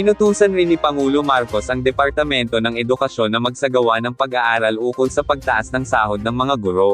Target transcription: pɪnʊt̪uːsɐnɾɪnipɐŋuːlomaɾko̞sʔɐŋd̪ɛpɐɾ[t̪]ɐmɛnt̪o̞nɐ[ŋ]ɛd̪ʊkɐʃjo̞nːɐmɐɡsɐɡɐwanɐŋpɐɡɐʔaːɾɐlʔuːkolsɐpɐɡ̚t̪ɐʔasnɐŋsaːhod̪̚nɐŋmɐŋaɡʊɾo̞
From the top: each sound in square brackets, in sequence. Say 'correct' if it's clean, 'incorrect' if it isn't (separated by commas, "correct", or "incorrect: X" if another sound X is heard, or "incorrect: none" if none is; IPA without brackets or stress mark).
correct, correct